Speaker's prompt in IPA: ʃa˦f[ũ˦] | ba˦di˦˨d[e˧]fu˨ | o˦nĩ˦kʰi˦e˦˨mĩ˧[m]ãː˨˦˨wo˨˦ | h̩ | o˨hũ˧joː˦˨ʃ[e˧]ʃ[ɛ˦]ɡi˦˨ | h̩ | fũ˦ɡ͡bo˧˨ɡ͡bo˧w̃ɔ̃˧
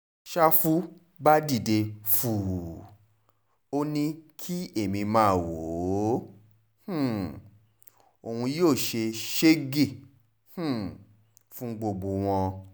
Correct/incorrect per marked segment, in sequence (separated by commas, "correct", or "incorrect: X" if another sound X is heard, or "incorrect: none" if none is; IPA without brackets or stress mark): incorrect: u˦, correct, correct, correct, incorrect: e˦